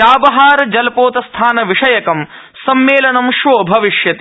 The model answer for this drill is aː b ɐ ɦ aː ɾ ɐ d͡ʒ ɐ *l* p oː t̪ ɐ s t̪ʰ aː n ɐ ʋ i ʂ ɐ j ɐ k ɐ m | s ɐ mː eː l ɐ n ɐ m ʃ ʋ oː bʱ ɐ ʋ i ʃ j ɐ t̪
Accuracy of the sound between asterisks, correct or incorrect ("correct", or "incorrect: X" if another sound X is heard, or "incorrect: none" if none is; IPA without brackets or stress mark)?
correct